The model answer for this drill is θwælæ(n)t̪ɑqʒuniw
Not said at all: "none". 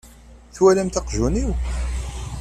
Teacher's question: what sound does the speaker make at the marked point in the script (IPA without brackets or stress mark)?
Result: m